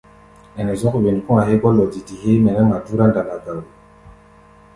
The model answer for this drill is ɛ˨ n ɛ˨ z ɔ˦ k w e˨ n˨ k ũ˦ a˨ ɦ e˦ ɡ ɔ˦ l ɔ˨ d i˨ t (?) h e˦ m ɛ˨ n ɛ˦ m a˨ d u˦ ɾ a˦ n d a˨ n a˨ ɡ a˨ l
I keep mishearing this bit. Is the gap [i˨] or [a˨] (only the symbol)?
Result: i˨